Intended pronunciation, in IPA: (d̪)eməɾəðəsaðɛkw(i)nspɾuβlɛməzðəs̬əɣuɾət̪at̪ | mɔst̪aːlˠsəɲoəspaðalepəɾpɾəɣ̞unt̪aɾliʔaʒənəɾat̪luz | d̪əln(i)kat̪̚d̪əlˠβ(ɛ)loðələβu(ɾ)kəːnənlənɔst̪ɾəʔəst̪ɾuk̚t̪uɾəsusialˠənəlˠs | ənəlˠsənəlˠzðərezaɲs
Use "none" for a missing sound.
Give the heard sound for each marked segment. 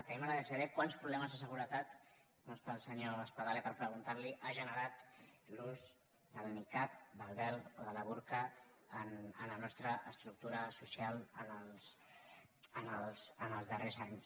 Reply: t̪, a, i, ɛ, ɾ

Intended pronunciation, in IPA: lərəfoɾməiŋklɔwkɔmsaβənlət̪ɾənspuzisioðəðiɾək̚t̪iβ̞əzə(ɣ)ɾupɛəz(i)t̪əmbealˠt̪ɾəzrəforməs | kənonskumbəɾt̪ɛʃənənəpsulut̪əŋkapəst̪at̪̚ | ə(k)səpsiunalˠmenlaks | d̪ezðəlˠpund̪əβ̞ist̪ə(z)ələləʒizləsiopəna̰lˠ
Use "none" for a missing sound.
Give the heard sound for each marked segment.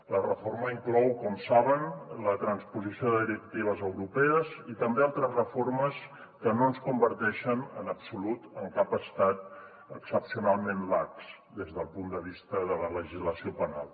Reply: w, i, k, ð

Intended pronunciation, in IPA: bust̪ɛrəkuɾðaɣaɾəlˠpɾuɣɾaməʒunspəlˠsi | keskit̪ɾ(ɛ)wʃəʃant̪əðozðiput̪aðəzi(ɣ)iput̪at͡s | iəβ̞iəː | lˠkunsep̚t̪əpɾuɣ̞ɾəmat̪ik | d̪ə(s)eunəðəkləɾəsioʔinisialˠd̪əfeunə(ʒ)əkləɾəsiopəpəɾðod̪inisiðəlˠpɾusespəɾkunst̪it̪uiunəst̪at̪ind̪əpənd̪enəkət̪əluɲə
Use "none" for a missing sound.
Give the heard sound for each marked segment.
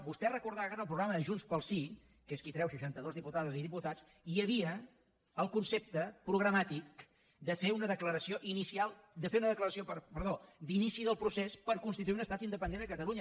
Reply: ɛ, ð, f, ð

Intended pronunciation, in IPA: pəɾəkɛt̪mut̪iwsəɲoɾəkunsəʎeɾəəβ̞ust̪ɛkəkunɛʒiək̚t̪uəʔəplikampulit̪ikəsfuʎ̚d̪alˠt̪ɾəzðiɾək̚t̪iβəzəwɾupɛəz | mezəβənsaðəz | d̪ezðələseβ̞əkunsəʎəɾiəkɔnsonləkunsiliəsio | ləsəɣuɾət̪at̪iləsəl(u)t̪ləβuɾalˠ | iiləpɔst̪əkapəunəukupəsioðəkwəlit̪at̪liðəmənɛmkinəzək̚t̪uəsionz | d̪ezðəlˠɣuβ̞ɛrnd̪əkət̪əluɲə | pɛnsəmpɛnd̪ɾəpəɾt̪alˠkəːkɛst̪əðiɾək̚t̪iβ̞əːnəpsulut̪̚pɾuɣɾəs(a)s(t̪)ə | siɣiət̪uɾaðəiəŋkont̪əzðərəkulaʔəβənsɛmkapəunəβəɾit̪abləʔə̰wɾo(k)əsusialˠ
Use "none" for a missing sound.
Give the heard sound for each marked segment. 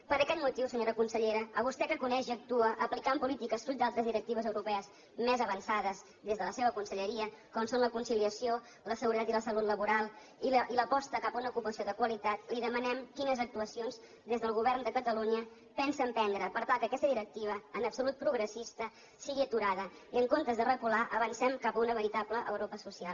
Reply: u, i, t̪, p

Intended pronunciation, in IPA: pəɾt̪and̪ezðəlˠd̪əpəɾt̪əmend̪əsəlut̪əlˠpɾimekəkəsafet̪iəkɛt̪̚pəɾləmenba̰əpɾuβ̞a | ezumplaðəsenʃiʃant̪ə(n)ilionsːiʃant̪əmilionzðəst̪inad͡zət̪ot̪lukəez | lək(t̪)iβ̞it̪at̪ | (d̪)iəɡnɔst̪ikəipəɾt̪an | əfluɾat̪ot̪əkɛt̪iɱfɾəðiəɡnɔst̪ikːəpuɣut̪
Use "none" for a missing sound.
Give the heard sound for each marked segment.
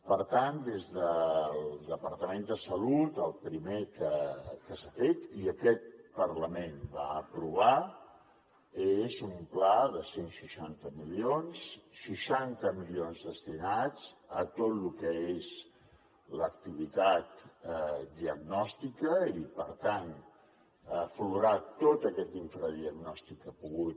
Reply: m, t̪, d̪

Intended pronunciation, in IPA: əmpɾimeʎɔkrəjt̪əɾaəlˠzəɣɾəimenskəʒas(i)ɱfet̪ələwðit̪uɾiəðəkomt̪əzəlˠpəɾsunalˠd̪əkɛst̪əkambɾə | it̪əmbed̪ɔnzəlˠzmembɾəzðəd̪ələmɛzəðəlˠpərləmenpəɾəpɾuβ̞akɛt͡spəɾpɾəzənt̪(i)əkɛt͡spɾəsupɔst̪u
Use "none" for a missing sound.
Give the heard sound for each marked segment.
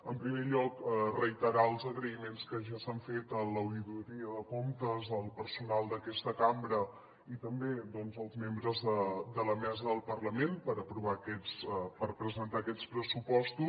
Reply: a, a

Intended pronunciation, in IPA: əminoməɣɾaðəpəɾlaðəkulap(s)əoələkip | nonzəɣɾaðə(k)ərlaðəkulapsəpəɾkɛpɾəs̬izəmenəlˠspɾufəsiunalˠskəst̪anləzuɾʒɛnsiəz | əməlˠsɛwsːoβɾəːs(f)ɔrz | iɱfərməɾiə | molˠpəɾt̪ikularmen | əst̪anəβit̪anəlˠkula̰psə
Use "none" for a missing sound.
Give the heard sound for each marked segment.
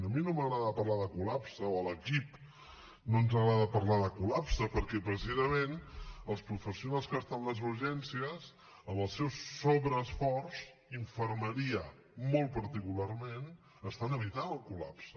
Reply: s, p, f

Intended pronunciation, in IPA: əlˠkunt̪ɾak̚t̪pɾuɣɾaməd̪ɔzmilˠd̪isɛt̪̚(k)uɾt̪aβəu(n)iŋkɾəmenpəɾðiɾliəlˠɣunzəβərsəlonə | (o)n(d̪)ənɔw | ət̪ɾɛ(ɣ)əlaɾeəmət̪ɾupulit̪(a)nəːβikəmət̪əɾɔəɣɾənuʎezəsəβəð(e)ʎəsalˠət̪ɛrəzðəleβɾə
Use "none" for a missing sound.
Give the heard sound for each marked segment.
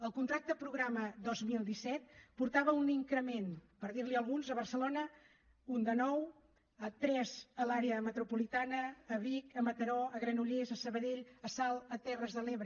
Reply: p, n, u, d̪, z, a, e

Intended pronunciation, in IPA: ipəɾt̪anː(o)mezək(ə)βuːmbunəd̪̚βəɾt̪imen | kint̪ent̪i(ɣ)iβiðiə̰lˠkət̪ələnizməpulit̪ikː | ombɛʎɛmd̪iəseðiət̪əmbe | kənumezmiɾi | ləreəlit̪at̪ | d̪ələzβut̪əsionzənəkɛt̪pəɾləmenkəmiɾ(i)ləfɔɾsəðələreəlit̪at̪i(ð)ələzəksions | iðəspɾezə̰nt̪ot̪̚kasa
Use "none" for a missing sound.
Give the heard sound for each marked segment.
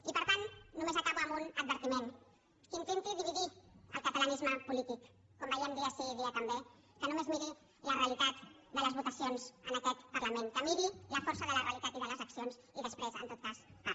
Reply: u, a, ð, i, ð

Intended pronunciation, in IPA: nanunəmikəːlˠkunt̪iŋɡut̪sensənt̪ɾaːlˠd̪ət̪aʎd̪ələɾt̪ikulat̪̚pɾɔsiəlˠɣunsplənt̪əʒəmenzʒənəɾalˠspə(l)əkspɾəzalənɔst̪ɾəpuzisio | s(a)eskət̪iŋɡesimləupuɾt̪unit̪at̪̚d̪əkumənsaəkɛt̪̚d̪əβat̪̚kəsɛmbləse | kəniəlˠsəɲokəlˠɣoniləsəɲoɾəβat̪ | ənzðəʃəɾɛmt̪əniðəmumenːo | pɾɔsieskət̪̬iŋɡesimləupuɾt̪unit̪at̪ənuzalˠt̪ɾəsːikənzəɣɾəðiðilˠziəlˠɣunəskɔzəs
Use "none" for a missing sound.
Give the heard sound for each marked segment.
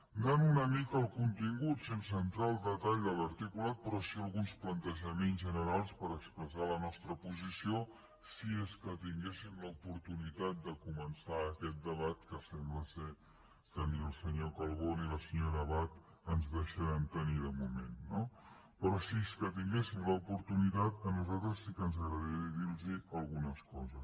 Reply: ɾ, i

